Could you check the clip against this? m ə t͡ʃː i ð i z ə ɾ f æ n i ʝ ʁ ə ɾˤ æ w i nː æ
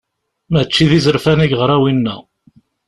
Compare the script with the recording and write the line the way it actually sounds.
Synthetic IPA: m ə t͡ʃː i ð i z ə ɾ f æ n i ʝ ʁ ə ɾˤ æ w i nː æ